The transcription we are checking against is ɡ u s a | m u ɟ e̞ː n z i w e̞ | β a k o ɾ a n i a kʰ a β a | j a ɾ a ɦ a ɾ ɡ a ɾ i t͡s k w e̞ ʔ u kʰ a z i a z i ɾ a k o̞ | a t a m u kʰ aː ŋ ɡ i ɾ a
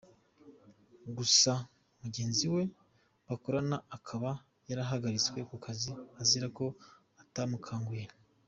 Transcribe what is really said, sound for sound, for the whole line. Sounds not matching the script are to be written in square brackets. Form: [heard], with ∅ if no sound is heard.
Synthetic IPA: ɡ u s a | m u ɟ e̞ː n z i w e̞ | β a k o ɾ a n [a] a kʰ a β a | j a ɾ a ɦ a [∅] ɡ a ɾ i t͡s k w e̞ [k] u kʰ a z i a z i ɾ a k o̞ | a t a m u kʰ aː ŋ ɡ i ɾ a